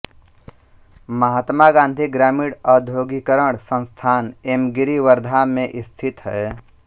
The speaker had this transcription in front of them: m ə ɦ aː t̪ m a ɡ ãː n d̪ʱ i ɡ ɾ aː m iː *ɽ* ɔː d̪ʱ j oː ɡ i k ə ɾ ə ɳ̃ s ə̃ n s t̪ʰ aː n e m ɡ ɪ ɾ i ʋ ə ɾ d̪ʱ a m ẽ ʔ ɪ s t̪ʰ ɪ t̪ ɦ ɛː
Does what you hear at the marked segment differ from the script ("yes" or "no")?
no